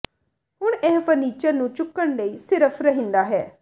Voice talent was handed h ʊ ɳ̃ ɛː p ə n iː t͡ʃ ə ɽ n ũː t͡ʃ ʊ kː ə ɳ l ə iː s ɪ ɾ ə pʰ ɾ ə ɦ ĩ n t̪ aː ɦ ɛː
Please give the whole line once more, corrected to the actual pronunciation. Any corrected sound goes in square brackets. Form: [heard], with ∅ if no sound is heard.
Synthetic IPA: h ʊ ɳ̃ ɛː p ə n iː t͡ʃ ə [ɾ] n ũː t͡ʃ ʊ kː ə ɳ l ə iː s ɪ ɾ ə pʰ ɾ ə ɦ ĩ n [d̪] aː ɦ ɛː